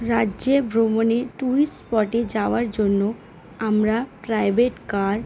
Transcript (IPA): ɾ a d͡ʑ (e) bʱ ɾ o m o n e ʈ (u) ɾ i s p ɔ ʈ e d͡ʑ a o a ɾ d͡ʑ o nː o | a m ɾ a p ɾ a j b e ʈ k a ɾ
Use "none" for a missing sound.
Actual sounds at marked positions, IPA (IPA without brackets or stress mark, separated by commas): e, u